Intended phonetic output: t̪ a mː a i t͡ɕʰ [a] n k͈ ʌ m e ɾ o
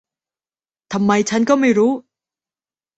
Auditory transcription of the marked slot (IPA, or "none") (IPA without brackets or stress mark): a